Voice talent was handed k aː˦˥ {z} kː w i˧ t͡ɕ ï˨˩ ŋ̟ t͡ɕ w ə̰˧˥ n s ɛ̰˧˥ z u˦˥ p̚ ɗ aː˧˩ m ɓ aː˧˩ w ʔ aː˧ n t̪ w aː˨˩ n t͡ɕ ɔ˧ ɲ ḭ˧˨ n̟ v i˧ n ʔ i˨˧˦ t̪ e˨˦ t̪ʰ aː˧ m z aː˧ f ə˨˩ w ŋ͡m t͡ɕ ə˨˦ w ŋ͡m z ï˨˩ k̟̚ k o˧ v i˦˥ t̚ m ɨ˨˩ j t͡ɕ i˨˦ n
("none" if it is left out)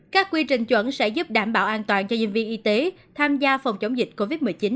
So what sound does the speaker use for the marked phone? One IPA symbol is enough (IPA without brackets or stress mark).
none